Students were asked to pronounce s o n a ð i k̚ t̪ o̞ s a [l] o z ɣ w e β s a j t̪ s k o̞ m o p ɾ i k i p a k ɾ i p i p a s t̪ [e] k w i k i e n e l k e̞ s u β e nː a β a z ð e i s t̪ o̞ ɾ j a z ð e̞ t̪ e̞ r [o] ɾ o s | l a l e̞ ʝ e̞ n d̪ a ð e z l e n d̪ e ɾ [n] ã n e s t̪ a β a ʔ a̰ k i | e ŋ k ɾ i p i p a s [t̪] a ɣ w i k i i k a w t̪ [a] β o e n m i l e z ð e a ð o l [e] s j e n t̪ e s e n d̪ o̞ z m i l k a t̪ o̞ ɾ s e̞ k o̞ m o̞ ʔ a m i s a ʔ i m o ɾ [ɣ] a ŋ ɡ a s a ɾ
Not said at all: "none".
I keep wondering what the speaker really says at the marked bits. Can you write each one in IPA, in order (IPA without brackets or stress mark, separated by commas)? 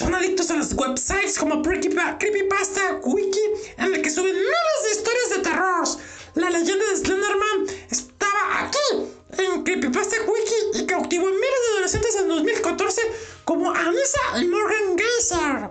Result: l, a, o, m, t̪, i, e, ɣ